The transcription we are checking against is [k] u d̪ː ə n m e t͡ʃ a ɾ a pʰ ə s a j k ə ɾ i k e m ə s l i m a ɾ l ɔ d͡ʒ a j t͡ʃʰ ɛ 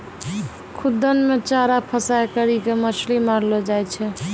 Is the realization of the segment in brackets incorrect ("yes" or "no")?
yes